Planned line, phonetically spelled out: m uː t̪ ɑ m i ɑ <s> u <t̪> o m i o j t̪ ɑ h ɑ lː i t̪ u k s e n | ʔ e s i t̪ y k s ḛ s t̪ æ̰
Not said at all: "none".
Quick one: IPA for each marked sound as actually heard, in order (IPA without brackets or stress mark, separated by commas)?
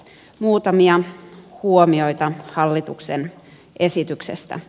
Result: h, none